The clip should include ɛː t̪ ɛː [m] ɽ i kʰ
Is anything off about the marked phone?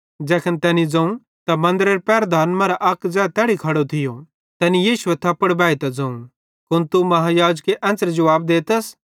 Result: yes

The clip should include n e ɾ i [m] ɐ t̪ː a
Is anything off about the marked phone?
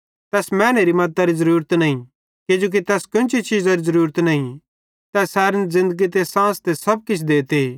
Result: no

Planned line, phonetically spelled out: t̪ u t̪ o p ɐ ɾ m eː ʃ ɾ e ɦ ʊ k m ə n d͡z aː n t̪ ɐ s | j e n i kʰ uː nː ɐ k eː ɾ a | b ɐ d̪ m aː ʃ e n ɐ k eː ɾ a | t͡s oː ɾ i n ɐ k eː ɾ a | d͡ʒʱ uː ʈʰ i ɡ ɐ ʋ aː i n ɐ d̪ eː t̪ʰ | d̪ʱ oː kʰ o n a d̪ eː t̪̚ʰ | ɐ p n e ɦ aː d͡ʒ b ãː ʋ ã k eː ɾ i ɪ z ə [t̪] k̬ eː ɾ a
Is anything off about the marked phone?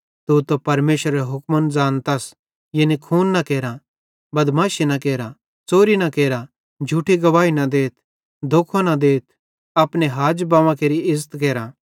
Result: no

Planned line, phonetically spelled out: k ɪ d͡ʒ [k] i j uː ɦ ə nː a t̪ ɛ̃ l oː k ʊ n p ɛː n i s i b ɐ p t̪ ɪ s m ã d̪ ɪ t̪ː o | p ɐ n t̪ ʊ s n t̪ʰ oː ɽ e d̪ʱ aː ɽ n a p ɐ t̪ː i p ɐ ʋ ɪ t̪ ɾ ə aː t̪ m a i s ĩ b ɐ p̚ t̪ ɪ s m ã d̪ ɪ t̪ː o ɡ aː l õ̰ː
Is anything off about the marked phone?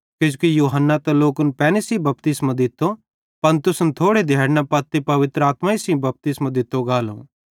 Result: no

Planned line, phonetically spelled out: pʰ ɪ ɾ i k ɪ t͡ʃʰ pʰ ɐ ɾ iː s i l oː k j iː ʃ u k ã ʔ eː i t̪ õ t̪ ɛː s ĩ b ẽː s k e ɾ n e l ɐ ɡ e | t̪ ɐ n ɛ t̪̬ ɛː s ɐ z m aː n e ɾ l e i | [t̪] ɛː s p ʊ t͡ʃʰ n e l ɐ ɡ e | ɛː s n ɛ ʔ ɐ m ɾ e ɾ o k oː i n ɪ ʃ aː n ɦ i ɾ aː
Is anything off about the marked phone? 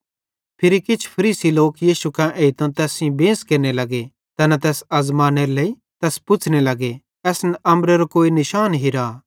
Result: no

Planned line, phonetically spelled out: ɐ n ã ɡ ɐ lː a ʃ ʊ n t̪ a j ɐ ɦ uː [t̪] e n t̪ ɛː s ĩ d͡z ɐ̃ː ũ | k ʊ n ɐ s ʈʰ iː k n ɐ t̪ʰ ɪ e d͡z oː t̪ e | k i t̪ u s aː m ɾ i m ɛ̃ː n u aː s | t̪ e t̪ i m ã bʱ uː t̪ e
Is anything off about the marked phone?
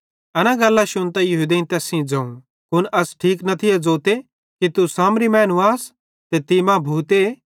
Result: yes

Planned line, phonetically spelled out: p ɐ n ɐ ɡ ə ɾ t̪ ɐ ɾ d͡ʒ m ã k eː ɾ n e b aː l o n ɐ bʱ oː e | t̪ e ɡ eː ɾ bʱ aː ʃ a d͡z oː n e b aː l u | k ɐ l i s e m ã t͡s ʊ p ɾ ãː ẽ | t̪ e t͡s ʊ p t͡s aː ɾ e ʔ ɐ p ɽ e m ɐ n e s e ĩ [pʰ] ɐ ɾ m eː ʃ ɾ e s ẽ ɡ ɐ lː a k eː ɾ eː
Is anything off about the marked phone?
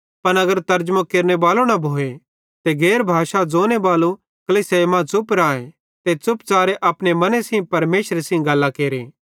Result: yes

